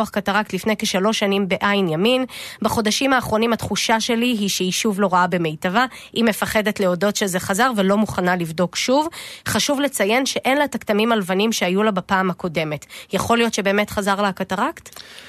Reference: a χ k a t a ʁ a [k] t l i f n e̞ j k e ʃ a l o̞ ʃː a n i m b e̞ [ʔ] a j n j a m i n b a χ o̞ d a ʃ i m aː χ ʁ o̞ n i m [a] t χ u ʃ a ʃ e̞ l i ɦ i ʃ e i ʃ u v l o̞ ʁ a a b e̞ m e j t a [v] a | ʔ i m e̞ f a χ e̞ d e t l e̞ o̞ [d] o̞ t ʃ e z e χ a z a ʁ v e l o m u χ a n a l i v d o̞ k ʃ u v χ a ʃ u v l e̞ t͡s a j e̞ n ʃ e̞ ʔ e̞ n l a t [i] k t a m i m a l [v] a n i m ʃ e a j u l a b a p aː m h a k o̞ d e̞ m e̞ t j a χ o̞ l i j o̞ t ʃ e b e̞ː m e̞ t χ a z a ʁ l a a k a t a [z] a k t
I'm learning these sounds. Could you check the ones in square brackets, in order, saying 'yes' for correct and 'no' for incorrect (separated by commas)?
yes, yes, yes, yes, yes, no, yes, no